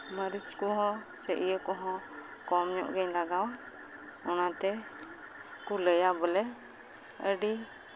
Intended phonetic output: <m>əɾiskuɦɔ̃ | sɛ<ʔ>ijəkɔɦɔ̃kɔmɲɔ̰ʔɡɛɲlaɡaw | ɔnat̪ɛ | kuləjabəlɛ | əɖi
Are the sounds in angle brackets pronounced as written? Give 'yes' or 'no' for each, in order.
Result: yes, yes

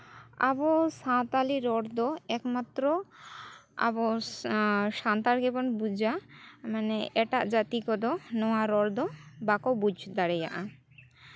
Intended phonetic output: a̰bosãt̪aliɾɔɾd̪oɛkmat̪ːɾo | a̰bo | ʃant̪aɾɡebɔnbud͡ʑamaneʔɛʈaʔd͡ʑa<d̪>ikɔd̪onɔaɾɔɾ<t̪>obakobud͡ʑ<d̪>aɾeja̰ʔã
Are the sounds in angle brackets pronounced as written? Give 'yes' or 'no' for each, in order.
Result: no, no, yes

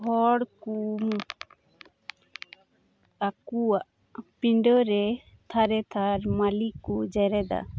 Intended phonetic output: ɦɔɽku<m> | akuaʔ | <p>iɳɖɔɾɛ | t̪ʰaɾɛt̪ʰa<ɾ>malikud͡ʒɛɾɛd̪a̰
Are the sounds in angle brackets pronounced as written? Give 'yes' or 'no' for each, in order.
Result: yes, yes, yes

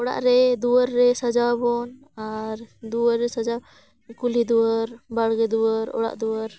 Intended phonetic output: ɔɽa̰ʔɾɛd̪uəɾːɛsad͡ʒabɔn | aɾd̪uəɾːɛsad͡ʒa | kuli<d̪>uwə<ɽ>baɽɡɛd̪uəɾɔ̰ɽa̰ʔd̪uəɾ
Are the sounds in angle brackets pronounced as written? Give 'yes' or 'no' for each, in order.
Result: yes, no

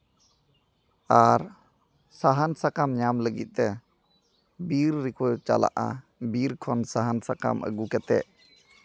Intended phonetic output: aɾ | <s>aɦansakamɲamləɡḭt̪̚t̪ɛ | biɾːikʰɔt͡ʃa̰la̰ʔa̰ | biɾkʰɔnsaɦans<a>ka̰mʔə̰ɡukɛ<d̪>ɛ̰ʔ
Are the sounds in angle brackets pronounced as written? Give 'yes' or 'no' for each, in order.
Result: yes, yes, no

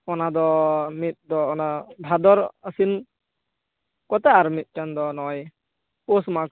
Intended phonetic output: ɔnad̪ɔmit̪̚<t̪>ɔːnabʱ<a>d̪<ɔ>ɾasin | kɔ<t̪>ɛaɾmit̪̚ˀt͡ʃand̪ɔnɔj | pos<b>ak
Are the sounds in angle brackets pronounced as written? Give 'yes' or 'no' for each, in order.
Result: no, yes, yes, yes, no

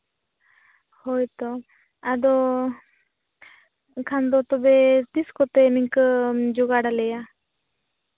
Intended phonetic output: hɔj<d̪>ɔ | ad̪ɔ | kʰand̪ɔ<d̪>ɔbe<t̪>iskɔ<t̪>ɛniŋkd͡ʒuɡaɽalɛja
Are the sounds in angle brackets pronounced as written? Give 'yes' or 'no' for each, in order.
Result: no, no, yes, yes

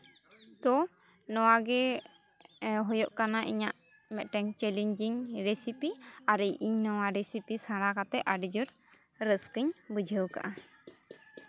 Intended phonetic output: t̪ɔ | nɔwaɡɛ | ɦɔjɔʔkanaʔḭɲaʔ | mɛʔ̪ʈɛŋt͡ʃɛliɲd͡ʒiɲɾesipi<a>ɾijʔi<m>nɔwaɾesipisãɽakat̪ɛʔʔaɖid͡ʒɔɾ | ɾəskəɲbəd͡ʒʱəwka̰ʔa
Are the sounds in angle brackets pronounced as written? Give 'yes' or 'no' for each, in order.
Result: yes, no

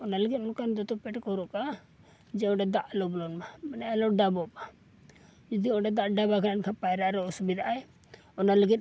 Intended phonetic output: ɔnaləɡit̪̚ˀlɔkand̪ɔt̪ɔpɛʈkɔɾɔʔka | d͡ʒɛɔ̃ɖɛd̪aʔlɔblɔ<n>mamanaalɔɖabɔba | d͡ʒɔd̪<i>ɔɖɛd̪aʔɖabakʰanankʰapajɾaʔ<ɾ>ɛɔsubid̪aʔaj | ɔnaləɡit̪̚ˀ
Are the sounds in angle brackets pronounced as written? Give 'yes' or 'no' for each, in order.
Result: yes, yes, yes

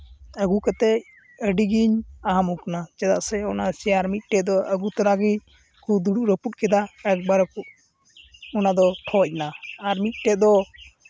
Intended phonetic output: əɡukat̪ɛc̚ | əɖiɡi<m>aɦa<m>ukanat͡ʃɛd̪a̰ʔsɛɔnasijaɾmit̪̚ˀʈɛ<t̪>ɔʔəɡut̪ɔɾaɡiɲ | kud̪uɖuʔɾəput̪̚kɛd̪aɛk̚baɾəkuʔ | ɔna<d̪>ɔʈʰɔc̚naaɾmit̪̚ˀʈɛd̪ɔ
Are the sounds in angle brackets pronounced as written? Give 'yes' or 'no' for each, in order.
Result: no, yes, no, yes

